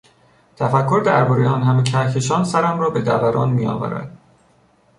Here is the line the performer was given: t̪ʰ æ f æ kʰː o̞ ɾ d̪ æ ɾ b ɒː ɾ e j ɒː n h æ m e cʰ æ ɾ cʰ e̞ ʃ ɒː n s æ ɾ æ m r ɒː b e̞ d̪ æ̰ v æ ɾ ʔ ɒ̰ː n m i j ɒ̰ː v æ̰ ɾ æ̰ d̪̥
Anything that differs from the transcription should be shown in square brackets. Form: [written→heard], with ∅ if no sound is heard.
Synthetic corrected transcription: t̪ʰ æ f æ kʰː o̞ ɾ d̪ æ ɾ b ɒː ɾ e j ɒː n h æ m e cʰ æ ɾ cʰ e̞ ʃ ɒː n s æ ɾ æ m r ɒː b e̞ d̪ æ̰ v æ ɾ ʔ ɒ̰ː n m i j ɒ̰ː v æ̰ ɾ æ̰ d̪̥